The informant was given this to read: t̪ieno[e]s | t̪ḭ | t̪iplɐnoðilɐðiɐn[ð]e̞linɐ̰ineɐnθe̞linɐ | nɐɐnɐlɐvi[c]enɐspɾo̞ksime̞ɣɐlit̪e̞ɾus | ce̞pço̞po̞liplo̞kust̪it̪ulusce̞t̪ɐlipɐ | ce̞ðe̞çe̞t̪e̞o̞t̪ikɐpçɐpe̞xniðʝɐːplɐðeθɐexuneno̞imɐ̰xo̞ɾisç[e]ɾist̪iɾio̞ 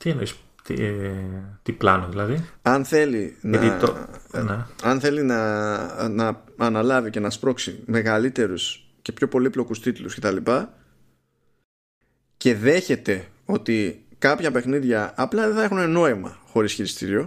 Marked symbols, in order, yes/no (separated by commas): no, no, yes, no